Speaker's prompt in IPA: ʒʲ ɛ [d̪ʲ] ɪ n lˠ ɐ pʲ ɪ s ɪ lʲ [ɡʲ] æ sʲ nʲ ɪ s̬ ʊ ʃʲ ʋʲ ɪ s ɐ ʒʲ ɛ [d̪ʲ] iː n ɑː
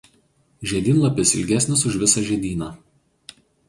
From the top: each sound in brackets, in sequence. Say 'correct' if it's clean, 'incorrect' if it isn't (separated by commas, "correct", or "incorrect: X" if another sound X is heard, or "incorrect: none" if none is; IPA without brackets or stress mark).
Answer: correct, correct, correct